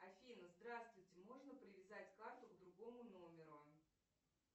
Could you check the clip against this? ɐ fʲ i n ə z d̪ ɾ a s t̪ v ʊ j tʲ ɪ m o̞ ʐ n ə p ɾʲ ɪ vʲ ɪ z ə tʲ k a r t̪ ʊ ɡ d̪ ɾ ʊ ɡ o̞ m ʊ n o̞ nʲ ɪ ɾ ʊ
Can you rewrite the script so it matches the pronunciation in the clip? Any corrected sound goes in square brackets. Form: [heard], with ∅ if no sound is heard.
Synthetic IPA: ɐ fʲ i n ə z d̪ ɾ a s t̪ v ʊ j tʲ ɪ m o̞ ʐ n ə p ɾʲ ɪ vʲ ɪ z [a] tʲ k a r t̪ ʊ ɡ d̪ ɾ ʊ ɡ o̞ m ʊ n o̞ [mʲ] ɪ ɾ ʊ